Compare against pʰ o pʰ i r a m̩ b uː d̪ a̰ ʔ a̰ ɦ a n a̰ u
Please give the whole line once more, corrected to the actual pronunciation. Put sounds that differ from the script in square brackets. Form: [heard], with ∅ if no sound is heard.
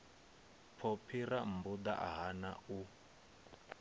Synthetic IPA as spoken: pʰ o pʰ i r a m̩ b [u] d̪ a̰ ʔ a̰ ɦ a n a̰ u